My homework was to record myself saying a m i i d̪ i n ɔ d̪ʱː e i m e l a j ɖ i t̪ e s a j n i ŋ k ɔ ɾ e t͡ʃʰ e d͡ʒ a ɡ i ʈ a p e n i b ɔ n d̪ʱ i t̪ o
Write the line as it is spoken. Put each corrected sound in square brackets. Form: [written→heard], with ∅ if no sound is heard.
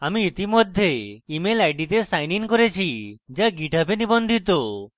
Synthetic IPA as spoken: a m i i [d̪→t̪] i [n→m] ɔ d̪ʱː e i m e l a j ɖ i t̪ e s a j n i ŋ k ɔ ɾ e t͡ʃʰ [e→i] d͡ʒ a ɡ i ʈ a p e n i b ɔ n d̪ʱ i t̪ o